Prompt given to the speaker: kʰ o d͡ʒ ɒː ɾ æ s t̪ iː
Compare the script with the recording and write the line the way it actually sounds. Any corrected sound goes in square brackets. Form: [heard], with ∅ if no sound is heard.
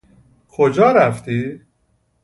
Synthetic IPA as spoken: kʰ o d͡ʒ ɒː ɾ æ [f] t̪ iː